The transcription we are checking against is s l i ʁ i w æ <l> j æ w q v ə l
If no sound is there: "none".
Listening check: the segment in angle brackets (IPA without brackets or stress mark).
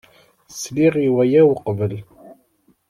none